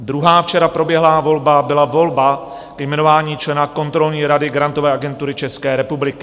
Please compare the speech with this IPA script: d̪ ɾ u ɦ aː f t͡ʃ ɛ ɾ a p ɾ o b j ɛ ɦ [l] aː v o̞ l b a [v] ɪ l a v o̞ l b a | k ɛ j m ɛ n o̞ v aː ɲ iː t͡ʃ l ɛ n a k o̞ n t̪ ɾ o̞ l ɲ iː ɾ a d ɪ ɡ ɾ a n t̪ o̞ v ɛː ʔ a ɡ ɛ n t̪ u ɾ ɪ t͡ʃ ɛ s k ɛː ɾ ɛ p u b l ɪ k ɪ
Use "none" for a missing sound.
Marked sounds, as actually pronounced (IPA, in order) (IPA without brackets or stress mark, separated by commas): l, b